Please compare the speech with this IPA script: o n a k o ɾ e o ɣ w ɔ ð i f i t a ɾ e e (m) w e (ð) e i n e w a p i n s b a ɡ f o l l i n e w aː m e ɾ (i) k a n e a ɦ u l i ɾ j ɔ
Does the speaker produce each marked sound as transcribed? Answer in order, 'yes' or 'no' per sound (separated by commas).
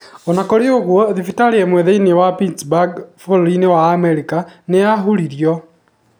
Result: yes, yes, yes